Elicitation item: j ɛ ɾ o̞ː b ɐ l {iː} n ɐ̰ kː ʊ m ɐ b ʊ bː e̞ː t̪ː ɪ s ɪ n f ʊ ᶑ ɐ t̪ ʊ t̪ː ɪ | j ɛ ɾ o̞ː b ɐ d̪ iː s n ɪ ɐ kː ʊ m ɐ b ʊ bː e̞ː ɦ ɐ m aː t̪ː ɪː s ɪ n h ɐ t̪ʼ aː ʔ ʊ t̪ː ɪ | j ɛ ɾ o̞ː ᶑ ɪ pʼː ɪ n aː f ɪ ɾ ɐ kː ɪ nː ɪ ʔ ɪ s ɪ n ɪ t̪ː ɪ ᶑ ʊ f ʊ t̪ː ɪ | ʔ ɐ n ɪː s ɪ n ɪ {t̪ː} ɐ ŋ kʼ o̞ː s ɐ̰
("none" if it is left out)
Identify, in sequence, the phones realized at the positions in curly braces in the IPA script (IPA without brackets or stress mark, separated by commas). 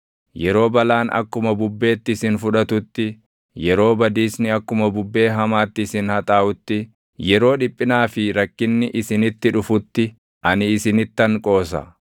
aː, t̪ː